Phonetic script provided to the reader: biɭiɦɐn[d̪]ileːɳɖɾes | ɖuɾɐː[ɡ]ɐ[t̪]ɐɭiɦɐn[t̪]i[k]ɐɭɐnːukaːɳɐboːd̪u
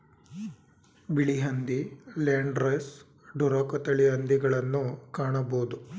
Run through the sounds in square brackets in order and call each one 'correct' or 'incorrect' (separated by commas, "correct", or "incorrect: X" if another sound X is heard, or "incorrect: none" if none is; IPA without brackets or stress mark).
correct, incorrect: k, correct, incorrect: d̪, incorrect: ɡ